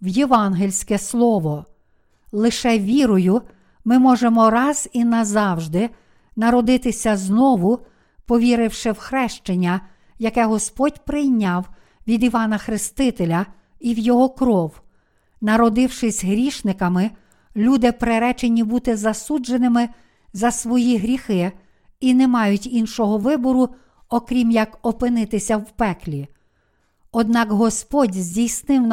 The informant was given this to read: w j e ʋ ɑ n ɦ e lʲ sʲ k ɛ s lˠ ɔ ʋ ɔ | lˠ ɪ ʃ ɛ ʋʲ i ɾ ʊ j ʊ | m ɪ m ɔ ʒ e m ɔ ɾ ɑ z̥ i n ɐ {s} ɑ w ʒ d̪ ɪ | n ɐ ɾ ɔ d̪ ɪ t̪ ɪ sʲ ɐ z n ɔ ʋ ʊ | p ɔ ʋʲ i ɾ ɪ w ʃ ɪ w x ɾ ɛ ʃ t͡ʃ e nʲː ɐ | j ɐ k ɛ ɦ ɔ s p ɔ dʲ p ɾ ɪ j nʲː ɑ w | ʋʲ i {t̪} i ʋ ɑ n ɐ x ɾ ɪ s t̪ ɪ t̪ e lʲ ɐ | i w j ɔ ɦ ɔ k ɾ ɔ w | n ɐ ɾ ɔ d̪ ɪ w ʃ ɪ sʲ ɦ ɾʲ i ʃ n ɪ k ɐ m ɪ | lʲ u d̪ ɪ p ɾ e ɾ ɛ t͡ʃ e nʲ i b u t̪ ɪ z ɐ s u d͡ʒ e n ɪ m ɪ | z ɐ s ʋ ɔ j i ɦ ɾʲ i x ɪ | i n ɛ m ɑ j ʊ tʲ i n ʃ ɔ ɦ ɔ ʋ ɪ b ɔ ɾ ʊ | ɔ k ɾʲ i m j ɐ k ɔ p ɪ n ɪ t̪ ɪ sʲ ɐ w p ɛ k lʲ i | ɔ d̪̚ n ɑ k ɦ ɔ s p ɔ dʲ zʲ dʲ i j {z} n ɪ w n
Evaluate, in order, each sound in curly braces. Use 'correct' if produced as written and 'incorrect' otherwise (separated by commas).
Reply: incorrect, incorrect, incorrect